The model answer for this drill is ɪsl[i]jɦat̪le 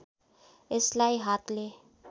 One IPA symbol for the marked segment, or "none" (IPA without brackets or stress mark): a